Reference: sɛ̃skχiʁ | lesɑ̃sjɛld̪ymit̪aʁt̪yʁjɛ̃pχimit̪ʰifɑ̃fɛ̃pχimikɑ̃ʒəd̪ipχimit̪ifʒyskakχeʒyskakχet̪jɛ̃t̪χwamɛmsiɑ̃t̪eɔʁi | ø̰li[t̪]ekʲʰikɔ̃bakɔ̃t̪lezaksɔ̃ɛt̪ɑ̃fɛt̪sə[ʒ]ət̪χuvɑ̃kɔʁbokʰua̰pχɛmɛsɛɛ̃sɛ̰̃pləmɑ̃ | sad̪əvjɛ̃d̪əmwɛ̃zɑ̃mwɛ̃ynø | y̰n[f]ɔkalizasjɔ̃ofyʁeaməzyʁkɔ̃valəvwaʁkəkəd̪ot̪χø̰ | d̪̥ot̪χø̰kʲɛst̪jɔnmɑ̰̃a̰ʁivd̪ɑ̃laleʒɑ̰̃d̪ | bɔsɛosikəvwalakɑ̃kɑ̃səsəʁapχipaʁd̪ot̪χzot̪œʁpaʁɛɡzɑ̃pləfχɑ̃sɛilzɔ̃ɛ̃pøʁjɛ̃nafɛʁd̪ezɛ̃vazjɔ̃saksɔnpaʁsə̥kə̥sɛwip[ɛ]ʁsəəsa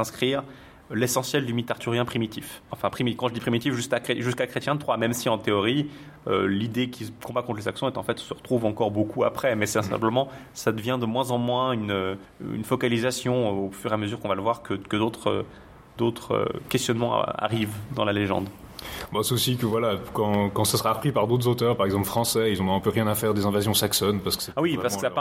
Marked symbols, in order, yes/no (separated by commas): no, no, yes, no